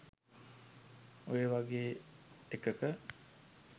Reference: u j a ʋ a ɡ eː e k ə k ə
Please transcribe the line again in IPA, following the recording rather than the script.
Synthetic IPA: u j e ʋ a ɡ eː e k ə k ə